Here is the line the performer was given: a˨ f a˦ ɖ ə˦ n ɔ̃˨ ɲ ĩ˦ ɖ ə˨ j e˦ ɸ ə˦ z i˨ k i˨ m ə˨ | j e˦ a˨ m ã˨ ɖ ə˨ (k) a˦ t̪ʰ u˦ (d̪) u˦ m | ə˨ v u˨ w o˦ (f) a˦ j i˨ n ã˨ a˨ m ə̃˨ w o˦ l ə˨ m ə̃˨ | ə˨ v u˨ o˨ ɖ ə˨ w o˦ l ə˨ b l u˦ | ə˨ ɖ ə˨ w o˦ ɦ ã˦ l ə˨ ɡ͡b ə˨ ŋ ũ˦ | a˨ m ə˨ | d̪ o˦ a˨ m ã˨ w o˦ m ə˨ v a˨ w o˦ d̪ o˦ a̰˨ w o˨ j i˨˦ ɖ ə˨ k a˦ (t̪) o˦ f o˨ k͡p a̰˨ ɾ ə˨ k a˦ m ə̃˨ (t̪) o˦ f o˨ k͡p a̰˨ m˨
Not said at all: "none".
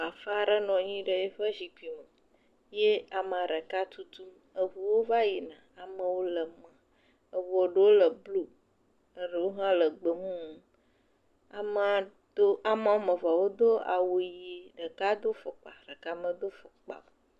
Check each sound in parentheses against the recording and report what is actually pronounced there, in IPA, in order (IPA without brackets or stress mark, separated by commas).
k, t̪, v, d̪, d̪